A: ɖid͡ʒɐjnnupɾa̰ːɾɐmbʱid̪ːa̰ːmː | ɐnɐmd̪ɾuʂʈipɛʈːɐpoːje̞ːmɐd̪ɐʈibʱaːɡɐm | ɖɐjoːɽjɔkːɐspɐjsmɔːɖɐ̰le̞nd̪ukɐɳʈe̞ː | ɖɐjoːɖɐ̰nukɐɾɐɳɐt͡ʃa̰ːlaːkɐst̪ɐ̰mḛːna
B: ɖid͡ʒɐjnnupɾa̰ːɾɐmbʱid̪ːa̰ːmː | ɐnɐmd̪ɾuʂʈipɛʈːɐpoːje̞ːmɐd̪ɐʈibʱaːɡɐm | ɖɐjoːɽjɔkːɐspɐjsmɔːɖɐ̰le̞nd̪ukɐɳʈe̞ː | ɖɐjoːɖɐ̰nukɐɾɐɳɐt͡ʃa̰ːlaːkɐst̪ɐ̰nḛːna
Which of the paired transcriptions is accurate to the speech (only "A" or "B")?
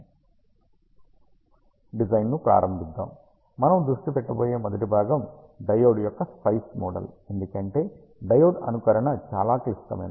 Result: A